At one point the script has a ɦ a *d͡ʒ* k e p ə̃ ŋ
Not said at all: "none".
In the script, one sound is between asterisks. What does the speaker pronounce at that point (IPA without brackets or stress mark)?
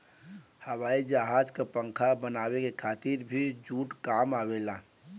d͡ʒ